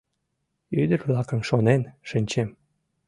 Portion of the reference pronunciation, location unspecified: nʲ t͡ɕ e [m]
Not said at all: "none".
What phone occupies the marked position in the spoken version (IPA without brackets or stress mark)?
m